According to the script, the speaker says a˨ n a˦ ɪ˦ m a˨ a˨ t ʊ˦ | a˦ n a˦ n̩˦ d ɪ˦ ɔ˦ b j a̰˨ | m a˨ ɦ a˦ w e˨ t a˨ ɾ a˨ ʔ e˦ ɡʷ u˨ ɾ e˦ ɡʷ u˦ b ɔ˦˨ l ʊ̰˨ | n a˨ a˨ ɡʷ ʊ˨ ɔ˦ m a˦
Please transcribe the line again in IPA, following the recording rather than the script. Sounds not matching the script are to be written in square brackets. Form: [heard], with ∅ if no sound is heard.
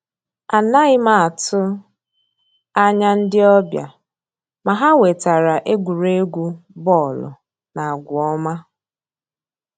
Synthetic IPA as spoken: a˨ n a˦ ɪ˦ m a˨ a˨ t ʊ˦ | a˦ [ɲ] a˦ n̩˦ d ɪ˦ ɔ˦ b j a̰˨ | m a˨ ɦ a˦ w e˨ t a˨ ɾ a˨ ʔ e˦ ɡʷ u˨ ɾ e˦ ɡʷ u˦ b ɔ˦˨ l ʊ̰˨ | n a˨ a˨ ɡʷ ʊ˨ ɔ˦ m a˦